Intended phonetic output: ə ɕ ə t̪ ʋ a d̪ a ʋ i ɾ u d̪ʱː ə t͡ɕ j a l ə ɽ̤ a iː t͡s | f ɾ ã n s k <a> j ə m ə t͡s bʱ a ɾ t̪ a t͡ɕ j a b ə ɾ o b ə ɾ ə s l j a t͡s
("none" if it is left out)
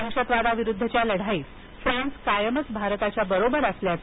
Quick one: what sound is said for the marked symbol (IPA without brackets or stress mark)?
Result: a